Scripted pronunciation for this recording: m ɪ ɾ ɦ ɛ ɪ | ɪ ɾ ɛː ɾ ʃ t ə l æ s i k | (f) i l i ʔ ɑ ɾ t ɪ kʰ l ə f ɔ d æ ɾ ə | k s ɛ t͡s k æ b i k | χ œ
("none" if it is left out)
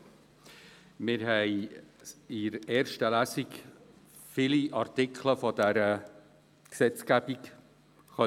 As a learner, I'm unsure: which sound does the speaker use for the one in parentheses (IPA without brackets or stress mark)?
f